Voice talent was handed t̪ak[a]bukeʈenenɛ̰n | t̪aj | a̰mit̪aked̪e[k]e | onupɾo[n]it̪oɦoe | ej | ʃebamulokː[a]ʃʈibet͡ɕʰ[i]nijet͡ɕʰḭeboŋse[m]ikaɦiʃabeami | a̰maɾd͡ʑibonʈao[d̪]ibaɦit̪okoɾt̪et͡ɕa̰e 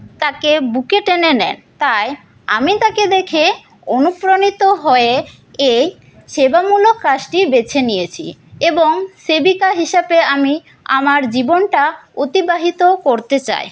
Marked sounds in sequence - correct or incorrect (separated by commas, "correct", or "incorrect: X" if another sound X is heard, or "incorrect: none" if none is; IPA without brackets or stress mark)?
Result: incorrect: e, incorrect: kʰ, correct, correct, incorrect: e, incorrect: b, incorrect: t̪